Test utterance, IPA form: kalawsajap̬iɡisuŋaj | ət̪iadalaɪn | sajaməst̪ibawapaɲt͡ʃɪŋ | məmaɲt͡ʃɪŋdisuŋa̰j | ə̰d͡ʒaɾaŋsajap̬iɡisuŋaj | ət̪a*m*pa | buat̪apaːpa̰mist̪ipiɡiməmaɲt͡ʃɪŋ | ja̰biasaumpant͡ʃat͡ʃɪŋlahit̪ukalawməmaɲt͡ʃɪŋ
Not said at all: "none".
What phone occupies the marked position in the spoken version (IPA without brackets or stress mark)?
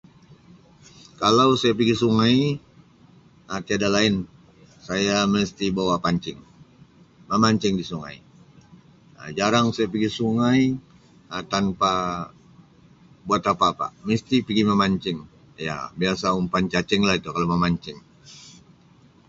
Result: n